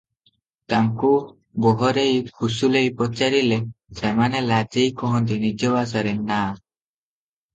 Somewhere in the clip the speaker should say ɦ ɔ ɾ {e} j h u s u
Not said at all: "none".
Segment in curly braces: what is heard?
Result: e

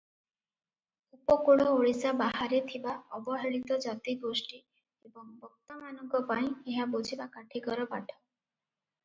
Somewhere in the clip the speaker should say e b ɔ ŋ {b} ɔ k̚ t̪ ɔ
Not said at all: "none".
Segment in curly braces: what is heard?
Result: b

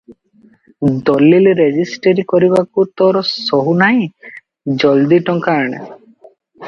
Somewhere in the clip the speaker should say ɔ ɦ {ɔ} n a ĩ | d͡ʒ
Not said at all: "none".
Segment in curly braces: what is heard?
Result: u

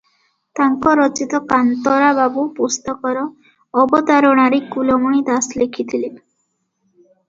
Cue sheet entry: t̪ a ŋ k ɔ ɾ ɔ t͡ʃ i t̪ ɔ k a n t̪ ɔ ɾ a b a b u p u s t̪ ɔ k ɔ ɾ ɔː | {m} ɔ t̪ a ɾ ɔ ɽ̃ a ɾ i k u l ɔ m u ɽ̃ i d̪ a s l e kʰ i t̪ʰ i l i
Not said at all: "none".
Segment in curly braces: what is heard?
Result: b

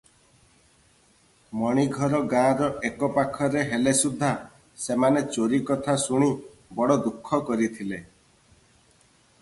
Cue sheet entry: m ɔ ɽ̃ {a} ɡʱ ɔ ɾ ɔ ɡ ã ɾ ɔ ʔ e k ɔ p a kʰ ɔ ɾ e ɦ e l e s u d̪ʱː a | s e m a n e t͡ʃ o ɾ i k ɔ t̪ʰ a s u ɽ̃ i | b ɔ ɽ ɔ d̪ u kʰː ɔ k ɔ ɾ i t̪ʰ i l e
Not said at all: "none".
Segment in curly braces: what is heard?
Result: i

